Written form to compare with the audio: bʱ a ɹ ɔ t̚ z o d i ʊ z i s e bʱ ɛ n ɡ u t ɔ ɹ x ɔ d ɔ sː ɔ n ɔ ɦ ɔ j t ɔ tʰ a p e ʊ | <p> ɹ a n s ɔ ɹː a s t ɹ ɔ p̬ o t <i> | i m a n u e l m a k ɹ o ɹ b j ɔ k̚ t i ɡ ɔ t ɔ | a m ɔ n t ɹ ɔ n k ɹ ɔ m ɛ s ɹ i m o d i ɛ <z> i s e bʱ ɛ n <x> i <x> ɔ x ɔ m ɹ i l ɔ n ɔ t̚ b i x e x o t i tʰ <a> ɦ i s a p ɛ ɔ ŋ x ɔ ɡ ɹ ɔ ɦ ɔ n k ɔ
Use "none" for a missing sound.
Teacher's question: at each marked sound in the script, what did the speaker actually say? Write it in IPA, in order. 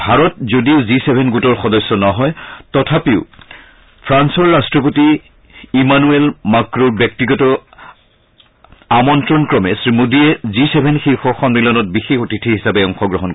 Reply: pʰ, i, z, x, x, i

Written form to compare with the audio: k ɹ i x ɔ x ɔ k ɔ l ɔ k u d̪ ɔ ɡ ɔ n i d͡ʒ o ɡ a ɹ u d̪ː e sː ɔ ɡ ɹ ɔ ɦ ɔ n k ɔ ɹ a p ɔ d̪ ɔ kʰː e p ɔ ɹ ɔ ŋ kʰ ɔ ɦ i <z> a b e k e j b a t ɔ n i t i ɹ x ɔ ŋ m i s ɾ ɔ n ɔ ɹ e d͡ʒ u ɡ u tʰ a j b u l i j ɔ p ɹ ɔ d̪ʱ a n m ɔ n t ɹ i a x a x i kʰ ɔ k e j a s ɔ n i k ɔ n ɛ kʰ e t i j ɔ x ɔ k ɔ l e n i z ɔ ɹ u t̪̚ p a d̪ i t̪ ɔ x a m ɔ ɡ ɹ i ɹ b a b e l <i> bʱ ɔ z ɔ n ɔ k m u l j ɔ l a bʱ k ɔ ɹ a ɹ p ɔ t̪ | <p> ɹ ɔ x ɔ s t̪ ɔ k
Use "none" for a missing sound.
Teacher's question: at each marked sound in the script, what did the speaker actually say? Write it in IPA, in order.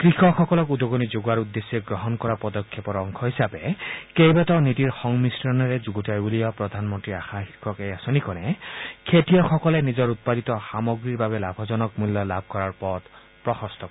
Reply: s, a, p

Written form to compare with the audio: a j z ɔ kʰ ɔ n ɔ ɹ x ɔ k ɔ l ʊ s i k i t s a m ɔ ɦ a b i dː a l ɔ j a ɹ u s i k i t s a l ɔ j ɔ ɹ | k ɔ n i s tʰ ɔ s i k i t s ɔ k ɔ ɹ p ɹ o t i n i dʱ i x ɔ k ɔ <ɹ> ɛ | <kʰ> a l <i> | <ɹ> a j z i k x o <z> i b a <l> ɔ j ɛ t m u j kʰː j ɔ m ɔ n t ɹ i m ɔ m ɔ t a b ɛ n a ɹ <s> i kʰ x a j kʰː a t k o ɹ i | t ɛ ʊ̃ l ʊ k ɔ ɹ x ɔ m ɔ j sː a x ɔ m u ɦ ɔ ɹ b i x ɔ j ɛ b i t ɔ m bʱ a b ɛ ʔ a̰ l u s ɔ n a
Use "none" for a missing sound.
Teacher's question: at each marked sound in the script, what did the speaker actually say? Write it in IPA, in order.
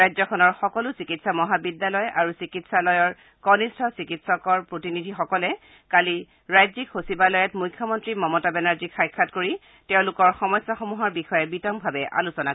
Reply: l, k, i, ɹ, s, l, z

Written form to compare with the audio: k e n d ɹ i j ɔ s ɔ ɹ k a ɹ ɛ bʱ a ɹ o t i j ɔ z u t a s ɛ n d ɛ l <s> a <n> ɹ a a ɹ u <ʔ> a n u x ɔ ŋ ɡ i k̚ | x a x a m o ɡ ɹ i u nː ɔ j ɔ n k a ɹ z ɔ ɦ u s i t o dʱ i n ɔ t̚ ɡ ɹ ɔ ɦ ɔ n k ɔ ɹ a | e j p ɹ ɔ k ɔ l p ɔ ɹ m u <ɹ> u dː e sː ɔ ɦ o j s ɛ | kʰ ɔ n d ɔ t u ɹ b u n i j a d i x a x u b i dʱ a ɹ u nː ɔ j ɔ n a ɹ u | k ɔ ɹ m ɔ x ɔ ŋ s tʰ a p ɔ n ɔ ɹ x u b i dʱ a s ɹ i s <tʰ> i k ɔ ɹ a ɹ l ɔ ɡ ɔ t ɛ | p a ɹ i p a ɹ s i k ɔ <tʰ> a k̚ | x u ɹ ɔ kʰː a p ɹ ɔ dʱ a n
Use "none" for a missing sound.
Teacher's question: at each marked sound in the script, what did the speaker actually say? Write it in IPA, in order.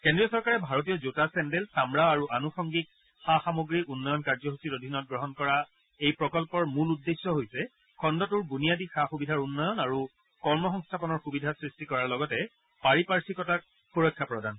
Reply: s, m, ʔ, l, t, t

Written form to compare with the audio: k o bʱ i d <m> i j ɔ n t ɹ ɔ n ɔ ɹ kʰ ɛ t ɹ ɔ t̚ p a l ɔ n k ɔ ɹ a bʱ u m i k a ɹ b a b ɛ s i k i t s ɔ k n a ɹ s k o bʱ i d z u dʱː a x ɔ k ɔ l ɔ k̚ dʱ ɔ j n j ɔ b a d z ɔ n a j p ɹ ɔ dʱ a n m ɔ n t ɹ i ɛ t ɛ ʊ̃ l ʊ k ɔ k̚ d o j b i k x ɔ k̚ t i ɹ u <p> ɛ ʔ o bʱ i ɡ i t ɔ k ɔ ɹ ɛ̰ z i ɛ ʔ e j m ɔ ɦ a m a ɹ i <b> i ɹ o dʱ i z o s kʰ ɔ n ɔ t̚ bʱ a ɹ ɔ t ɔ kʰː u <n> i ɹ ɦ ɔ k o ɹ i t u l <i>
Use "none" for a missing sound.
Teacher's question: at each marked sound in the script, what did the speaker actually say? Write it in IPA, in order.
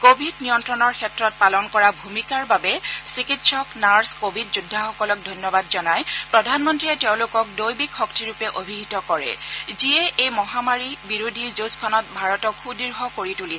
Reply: n, p, b, d, i

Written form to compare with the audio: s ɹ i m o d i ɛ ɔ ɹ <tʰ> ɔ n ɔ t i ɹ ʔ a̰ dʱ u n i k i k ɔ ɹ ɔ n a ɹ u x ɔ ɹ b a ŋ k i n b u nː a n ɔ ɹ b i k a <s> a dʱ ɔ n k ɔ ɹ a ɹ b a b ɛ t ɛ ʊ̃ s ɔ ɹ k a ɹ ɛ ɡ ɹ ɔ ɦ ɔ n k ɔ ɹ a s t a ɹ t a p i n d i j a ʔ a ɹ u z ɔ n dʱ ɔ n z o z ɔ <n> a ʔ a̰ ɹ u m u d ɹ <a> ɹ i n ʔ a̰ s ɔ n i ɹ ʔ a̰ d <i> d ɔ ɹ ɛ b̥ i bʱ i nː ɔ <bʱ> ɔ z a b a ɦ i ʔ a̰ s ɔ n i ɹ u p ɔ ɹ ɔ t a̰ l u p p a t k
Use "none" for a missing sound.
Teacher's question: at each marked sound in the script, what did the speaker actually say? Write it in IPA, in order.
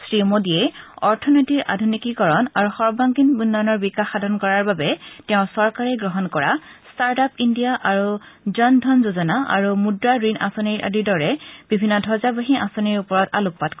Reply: tʰ, x, n, a, i, dʱ

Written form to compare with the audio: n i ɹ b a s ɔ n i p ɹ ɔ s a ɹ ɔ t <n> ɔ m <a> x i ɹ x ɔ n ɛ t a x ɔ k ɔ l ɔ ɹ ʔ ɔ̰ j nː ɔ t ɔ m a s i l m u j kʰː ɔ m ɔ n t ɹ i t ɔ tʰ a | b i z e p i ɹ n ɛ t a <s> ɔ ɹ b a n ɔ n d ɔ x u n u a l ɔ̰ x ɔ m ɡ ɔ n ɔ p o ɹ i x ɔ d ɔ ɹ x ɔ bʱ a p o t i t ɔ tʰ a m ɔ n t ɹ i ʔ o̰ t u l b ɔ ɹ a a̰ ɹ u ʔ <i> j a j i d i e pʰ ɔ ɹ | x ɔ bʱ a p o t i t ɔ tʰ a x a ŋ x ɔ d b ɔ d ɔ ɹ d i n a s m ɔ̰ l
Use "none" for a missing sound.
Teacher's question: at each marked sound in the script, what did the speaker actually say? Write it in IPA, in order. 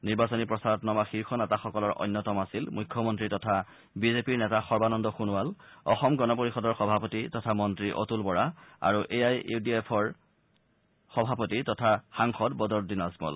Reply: n, a, x, e

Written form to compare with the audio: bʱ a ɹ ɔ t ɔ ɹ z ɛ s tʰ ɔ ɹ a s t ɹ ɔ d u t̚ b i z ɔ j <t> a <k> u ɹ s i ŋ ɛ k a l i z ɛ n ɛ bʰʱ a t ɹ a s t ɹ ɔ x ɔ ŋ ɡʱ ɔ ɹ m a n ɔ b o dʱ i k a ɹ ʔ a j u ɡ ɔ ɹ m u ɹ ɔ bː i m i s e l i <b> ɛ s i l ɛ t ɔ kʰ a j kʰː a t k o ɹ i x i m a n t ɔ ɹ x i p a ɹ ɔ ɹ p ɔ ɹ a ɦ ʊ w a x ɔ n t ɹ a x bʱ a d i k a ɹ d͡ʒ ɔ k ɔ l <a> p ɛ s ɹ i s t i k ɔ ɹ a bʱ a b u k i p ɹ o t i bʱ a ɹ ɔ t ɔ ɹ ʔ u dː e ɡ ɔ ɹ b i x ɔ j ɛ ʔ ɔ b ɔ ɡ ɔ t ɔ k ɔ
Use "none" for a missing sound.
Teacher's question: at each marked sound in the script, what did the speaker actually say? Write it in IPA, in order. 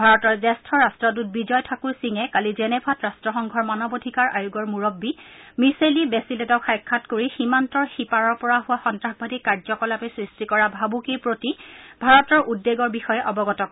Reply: tʰ, k, b, a

